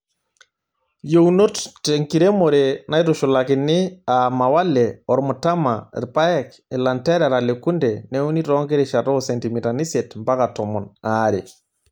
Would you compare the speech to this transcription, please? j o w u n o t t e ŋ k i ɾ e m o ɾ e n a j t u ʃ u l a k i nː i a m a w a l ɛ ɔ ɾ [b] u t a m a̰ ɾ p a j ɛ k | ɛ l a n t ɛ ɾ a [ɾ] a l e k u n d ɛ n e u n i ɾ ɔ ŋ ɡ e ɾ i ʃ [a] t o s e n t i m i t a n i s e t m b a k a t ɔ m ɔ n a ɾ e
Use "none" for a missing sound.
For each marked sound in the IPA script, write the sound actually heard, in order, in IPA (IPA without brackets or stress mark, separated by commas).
m, ɾ, a